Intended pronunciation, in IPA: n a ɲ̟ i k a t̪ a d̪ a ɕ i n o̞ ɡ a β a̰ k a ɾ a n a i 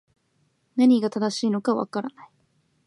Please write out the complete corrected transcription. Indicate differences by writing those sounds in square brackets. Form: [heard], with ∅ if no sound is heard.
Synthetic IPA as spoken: n a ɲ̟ i [ɡ] a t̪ a d̪ a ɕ [iː] n o̞ [k] a β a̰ k a ɾ a n a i